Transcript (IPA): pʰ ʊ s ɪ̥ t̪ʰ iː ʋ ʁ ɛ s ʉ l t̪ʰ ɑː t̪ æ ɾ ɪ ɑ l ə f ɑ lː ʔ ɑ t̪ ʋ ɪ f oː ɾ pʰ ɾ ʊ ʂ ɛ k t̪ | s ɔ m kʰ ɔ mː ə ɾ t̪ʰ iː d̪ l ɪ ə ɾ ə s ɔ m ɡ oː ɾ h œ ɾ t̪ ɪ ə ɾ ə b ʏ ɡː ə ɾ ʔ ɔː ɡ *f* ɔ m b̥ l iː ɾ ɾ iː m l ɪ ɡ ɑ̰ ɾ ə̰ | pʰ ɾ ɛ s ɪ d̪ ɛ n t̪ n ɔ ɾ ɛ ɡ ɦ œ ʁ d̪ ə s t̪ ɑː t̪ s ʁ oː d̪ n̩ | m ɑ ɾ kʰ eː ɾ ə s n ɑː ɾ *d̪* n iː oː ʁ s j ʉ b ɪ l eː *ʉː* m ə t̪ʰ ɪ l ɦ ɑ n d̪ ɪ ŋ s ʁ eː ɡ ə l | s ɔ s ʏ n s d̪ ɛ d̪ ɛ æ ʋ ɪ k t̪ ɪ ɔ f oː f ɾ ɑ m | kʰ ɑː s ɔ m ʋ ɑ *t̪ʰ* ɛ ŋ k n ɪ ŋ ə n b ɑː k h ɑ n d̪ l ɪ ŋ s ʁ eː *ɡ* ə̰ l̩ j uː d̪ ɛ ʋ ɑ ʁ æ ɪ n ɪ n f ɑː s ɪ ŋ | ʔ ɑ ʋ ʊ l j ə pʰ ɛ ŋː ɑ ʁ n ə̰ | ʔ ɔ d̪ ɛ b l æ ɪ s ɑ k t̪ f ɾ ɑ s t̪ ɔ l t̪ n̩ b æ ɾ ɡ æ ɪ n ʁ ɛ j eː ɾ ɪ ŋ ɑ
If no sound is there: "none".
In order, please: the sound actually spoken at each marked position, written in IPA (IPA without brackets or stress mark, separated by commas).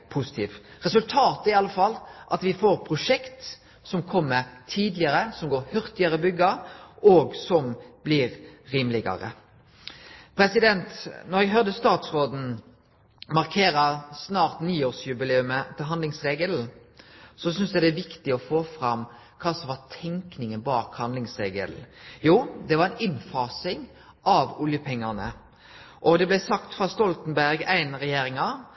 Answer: s, t̪, ʉ, t̪ʰ, ɡ